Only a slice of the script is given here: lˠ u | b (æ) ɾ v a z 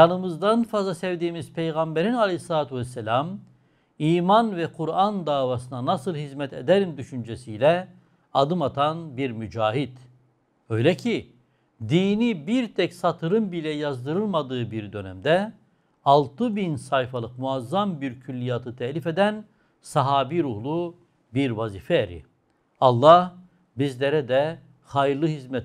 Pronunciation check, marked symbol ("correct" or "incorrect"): incorrect